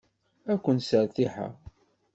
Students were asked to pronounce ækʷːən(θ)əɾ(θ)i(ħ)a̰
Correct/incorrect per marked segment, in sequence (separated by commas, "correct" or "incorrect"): incorrect, correct, correct